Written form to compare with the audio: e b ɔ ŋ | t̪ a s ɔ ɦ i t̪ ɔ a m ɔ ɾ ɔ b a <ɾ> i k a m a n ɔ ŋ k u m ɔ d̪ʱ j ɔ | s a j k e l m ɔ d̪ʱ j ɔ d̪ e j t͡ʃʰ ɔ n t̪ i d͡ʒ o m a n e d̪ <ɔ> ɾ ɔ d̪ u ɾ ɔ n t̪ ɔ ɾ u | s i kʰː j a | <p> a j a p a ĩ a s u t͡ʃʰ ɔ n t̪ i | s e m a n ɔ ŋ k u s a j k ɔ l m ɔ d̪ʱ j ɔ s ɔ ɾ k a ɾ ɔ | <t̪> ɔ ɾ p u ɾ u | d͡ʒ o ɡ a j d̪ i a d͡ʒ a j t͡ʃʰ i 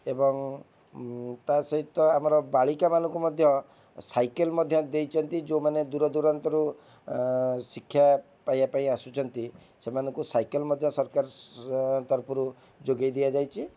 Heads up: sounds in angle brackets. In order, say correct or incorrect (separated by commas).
incorrect, incorrect, correct, correct